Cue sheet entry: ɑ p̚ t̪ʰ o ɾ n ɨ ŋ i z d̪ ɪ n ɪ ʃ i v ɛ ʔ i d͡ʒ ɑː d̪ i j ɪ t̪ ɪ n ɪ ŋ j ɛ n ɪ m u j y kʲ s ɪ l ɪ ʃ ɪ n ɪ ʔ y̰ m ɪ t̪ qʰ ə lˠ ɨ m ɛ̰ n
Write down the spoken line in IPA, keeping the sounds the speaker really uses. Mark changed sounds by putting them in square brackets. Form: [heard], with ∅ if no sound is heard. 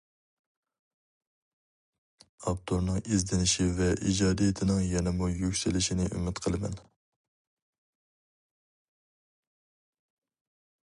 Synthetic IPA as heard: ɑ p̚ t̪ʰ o ɾ n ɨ ŋ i z d̪ ɪ n ɪ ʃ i v ɛ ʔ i d͡ʒ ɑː d̪ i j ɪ [t̪ʰ] ɪ n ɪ ŋ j ɛ n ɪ m u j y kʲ s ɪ l ɪ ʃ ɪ n ɪ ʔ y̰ m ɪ t̪ qʰ ə lˠ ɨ m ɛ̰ n